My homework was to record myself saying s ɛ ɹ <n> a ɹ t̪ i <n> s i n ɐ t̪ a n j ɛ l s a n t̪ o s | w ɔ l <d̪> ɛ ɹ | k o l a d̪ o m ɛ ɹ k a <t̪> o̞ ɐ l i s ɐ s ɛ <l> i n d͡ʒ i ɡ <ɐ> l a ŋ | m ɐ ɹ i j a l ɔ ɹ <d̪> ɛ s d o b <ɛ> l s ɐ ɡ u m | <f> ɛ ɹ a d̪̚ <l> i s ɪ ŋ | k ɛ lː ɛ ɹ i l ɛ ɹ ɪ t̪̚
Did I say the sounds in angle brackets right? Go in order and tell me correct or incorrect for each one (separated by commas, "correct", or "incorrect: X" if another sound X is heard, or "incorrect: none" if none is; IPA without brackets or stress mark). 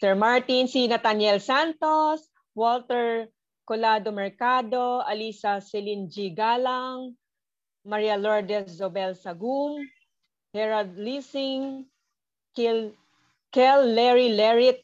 incorrect: m, correct, incorrect: t̪, incorrect: d̪, correct, incorrect: a, correct, correct, incorrect: h, correct